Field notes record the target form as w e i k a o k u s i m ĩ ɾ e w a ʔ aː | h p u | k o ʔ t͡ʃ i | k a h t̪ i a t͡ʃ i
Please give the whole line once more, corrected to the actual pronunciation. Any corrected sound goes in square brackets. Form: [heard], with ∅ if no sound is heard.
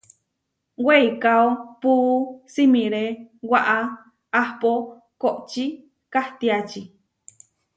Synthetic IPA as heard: w e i k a o [p] u s i m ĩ ɾ e w a ʔ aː | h p [o] | k o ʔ t͡ʃ i | k a h t̪ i a t͡ʃ i